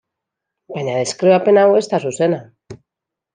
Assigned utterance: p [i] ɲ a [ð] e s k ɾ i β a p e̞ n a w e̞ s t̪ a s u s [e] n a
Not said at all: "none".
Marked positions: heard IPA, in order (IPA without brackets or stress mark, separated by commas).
a, ð, e